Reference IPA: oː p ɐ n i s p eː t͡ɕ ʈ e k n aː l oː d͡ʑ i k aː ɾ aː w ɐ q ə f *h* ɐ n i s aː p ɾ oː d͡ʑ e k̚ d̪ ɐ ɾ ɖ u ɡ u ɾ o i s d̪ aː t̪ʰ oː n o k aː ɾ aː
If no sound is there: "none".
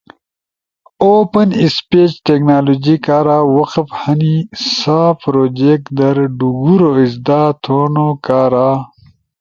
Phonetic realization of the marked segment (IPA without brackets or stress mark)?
h